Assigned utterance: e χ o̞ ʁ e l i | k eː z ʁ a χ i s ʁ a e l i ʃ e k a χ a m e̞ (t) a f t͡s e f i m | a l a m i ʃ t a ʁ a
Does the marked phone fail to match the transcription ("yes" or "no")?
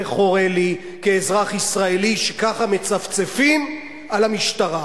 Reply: yes